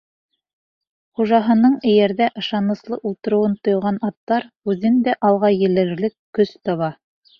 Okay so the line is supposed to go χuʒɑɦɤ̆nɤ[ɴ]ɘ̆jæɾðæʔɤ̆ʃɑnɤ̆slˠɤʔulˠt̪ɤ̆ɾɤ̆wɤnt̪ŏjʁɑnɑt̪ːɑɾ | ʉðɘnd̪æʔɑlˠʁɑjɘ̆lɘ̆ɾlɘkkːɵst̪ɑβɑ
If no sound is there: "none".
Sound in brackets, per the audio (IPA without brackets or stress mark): ɴ